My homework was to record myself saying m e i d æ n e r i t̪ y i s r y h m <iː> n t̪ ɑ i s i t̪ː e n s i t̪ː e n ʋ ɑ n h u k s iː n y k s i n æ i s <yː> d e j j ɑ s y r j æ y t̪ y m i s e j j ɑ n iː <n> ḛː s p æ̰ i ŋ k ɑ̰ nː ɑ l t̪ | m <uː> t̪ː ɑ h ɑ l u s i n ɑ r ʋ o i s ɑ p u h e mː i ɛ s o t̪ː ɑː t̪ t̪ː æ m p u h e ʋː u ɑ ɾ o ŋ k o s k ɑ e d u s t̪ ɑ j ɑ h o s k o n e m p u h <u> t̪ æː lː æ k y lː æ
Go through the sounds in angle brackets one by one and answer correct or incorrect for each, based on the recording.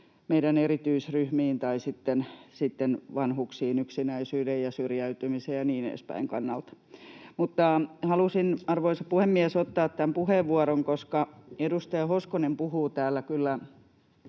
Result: correct, correct, correct, incorrect: u, incorrect: uː

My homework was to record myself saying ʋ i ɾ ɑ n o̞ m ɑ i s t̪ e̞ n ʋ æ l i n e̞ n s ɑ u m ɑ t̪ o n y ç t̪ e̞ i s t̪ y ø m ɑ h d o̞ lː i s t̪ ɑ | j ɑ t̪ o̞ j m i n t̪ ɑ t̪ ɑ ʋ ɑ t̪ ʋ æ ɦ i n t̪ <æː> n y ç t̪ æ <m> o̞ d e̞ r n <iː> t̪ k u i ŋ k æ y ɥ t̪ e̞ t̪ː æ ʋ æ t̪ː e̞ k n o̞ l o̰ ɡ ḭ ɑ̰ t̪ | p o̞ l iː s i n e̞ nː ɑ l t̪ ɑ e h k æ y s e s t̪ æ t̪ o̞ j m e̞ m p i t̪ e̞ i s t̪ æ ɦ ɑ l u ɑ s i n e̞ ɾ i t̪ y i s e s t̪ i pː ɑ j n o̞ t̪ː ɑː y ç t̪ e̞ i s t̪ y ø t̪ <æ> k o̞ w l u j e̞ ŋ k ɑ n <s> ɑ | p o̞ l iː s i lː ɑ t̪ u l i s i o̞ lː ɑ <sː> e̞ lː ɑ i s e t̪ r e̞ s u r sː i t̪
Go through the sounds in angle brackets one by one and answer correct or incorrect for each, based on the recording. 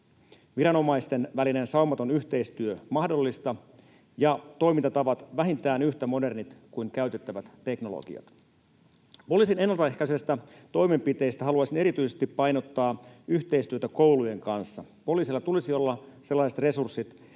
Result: correct, correct, incorrect: i, correct, incorrect: sː, incorrect: s

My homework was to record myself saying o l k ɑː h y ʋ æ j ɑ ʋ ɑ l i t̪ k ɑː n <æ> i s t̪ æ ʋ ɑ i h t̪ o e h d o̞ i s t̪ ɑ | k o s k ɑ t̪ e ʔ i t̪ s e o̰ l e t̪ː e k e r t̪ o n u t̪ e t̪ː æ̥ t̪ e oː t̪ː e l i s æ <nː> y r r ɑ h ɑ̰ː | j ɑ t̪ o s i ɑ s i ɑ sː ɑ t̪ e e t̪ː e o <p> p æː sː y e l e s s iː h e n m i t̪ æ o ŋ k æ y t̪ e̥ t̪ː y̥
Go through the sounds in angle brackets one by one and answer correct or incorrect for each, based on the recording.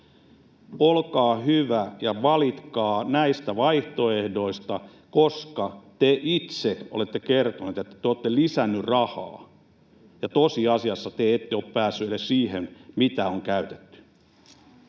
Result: correct, correct, correct

